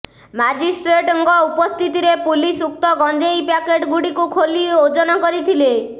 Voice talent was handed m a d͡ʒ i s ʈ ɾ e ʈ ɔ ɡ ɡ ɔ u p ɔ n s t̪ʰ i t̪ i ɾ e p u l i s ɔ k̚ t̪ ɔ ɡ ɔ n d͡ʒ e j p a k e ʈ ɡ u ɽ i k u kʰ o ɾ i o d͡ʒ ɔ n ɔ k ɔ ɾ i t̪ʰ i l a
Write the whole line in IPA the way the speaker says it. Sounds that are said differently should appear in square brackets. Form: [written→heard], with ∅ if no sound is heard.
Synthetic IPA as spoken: m a d͡ʒ i s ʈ ɾ e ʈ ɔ [ɡ→ŋ] ɡ ɔ u p ɔ [n→∅] s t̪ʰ i t̪ i ɾ e p u l i s [ɔ→u] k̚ t̪ ɔ ɡ ɔ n d͡ʒ e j p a k e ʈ ɡ u ɽ i k u kʰ o [ɾ→l] i o d͡ʒ ɔ n ɔ k ɔ ɾ i t̪ʰ i l [a→e]